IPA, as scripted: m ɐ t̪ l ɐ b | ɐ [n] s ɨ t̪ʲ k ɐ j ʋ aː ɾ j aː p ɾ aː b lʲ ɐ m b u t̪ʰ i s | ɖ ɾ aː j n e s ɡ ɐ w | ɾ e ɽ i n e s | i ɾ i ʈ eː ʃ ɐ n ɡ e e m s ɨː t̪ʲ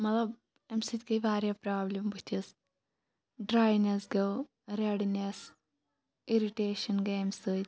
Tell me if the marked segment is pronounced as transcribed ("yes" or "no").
no